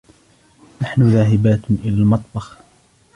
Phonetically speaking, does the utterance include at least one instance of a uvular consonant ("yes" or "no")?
no